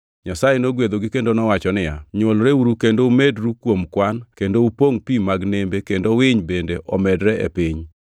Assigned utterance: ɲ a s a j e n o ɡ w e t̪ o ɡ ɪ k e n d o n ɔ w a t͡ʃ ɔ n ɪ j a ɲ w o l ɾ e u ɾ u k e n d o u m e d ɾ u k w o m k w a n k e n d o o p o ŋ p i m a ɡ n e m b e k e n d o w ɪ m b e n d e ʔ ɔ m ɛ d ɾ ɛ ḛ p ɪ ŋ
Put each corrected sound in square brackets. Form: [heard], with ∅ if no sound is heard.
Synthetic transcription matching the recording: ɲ a s a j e n o ɡ w e [d̪] o ɡ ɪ k e n d o n ɔ w a t͡ʃ ɔ n ɪ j a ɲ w o l ɾ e u ɾ u k e n d o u m e d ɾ u k w o m k w a n k e n d o [u] p o ŋ p i m a ɡ n e m b e k e n d o w ɪ [ɲ] b e n d e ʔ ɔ m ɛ d ɾ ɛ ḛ p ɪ [ɲ]